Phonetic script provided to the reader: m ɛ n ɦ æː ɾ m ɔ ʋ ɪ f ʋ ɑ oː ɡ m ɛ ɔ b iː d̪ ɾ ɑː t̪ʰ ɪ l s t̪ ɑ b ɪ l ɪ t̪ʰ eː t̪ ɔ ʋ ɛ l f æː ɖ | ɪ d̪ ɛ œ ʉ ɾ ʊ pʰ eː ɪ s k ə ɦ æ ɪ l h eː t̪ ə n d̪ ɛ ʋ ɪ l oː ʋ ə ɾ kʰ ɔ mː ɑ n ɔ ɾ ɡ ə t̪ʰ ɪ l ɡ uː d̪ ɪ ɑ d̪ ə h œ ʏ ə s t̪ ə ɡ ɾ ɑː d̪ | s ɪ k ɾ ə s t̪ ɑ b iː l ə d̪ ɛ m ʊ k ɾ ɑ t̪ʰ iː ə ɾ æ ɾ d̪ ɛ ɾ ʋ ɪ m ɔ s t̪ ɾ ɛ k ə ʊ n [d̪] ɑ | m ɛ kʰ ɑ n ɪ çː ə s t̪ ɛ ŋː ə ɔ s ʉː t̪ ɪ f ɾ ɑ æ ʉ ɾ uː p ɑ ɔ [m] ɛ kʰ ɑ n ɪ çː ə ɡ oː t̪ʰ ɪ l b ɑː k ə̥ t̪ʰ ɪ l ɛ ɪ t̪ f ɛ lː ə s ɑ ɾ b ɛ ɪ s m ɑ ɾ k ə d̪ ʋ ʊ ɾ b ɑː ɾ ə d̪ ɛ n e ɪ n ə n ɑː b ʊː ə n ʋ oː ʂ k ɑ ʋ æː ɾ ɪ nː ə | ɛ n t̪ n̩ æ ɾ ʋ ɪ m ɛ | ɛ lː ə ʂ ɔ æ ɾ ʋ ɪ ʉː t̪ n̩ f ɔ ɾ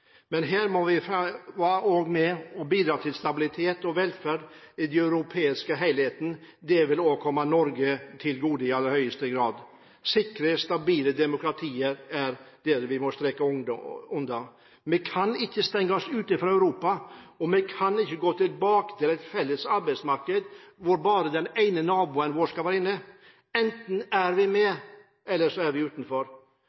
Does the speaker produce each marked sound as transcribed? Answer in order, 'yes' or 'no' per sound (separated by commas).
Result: yes, yes